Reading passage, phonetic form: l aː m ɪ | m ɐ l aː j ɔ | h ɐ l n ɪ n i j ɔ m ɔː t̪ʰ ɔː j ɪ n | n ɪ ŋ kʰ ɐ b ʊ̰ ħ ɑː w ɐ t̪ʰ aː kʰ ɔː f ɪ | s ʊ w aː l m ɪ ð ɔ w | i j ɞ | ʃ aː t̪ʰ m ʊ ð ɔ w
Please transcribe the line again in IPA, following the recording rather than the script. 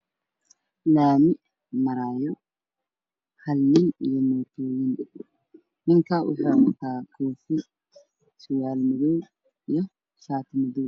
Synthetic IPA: l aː m ɪ | m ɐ ɾ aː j ɔ | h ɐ l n ɪ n i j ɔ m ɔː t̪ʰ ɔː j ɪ n | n ɪ ŋ kʰ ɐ w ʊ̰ ħ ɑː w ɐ t̪ʰ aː kʰ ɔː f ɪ | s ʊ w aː l m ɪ ð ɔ w | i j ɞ | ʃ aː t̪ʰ m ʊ ð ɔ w

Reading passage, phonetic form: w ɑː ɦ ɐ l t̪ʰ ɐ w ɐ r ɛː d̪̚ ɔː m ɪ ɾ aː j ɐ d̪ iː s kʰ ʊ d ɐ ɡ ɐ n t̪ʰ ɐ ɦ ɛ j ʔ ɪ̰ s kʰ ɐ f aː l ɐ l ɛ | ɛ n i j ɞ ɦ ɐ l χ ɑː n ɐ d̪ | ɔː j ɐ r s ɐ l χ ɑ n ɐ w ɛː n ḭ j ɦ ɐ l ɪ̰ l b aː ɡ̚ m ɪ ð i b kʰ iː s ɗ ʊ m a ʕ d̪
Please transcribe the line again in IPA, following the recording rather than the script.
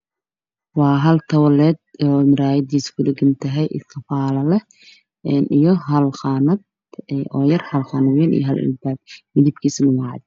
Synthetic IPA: w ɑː ɦ ɐ l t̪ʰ ɐ w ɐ l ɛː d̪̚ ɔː m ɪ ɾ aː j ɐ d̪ iː s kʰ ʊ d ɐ ɡ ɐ n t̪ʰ ɐ ɦ ɛ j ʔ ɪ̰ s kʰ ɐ f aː l ɐ l ɛ | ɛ n i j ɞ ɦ ɐ l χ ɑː n ɐ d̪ | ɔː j ɐ r h ɐ l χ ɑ n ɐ w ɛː n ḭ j ɦ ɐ l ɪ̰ l b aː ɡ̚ m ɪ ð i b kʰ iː s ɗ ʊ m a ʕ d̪

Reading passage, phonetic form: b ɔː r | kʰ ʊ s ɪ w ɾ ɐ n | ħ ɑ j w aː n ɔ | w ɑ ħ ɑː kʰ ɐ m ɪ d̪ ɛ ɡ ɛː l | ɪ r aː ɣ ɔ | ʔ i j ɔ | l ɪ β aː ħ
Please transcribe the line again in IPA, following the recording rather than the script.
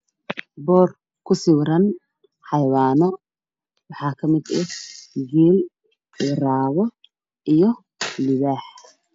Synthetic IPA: b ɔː r | kʰ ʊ s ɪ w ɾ ɐ n | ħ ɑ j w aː n ɔ | w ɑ ħ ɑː kʰ ɐ m ɪ d̪ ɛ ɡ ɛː l | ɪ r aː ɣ ɔ | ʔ i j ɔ | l ɪ β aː ħ

